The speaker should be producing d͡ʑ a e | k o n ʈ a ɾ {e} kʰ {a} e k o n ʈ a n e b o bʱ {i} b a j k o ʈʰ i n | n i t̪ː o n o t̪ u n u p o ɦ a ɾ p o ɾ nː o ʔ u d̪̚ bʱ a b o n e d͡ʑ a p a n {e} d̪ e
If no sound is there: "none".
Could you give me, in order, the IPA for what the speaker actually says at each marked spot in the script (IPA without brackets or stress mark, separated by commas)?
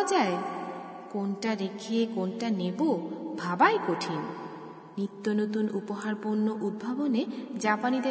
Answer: e, i, a, i